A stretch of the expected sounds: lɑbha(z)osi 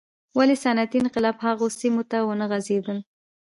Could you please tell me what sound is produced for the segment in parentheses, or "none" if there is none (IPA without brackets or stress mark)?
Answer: ɣ